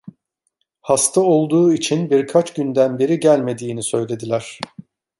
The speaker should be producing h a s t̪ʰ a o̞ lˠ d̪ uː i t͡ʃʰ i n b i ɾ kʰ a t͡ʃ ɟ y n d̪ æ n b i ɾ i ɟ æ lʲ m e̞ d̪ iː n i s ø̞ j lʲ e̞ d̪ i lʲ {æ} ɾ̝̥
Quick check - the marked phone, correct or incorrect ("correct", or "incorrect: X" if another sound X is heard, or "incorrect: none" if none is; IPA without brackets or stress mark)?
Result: correct